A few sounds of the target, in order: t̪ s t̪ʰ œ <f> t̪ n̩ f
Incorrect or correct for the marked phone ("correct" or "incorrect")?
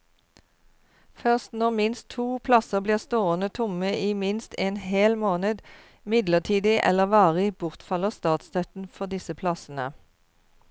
incorrect